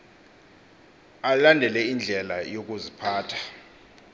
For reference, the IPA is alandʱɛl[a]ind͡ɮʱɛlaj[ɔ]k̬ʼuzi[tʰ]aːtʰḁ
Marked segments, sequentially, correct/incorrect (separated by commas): incorrect, incorrect, incorrect